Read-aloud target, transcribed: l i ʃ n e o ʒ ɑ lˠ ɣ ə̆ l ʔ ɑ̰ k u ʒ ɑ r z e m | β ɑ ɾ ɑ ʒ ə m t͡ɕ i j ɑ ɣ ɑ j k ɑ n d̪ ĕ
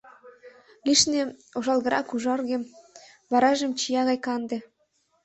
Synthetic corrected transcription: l i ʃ n e o ʒ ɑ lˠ ɣ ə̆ ɾ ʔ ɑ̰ k u ʒ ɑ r ɣ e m | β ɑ ɾ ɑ ʒ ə m t͡ɕ i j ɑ ɣ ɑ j k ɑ n d̪ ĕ